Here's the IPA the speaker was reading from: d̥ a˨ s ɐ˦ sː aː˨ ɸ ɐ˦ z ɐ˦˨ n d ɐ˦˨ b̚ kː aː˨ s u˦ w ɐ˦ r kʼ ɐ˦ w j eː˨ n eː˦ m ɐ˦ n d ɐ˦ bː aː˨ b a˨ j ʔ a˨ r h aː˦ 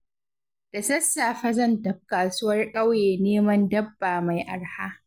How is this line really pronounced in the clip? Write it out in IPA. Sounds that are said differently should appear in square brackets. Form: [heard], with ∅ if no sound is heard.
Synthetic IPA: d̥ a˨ s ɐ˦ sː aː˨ ɸ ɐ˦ z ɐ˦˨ n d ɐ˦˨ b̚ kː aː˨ s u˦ w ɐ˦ r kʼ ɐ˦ w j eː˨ n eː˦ m ɐ˦ n d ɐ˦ bː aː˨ [m] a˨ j ʔ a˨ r h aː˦

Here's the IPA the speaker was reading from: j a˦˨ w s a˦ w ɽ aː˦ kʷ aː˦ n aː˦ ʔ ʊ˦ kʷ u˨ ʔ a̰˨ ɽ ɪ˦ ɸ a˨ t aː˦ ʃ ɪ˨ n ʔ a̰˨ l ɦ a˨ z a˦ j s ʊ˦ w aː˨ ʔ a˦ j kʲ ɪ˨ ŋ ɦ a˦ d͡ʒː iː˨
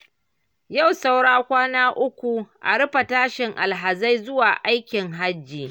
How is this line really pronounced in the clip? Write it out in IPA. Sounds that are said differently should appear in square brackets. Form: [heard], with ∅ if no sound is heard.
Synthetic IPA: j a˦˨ w s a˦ w ɽ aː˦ kʷ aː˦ n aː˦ ʔ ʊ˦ kʷ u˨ ʔ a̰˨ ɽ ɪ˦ ɸ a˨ t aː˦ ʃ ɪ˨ [ŋ] ʔ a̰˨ l ɦ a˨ z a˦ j [z] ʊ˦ w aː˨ ʔ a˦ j kʲ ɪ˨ ŋ ɦ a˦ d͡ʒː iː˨

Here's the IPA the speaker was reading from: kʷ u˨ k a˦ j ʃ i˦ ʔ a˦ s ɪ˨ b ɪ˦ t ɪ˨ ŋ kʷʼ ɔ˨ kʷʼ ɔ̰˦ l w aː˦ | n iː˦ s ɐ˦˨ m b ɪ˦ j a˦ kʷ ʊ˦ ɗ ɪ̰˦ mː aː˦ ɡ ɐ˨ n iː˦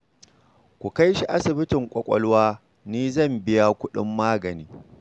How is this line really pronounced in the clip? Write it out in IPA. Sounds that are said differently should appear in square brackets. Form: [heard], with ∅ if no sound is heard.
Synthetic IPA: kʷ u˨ k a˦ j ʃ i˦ ʔ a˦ s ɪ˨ b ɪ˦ t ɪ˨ ŋ kʷʼ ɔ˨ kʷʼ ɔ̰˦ l w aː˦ | n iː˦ [z] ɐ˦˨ m b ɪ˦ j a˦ kʷ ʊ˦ ɗ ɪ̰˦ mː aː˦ ɡ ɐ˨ n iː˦

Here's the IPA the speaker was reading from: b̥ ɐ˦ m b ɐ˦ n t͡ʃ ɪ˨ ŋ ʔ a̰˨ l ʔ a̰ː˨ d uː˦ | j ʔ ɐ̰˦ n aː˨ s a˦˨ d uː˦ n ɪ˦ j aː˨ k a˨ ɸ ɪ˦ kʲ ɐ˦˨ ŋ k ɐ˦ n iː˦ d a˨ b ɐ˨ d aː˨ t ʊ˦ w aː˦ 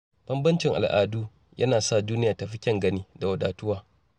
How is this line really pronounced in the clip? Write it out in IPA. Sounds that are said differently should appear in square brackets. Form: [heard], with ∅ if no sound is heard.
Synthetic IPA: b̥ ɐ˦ m b ɐ˦ n t͡ʃ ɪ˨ ŋ ʔ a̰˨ l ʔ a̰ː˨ d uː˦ | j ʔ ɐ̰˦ n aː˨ s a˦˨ d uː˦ n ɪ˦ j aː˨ [t] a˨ ɸ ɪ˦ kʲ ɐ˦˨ ŋ [ɡ] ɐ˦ n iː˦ d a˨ [w] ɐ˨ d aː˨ t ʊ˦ w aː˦

